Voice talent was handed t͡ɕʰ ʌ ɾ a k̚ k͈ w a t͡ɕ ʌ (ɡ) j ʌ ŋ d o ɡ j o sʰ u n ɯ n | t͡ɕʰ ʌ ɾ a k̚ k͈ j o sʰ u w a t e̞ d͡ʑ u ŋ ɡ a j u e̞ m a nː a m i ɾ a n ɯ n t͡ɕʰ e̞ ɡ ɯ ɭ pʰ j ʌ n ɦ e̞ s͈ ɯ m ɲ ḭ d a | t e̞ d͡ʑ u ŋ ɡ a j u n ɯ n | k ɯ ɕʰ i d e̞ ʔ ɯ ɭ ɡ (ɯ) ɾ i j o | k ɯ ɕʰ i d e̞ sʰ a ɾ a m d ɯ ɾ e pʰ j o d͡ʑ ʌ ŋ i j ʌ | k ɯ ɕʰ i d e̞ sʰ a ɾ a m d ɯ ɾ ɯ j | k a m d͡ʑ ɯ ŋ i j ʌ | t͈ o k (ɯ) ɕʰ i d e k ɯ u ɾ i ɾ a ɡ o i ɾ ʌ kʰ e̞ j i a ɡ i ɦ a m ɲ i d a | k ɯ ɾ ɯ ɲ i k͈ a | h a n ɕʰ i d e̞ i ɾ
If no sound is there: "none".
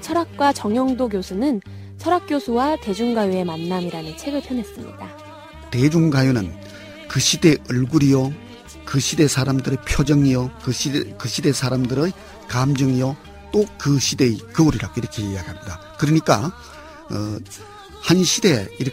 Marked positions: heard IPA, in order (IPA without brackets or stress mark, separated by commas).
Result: ŋ, u, ɯ